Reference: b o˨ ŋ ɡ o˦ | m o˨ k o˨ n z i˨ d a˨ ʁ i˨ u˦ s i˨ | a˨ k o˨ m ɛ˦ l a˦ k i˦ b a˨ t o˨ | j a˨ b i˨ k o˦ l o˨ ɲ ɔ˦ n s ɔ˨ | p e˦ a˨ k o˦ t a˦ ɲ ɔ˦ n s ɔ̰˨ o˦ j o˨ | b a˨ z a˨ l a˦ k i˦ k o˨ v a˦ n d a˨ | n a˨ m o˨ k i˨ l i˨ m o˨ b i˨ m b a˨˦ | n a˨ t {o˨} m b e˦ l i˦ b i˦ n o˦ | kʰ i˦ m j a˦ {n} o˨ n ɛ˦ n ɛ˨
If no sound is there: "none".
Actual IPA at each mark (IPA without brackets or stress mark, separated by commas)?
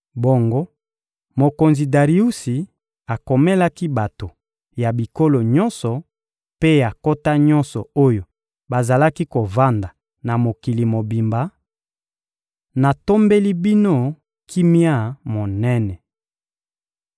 o˦, m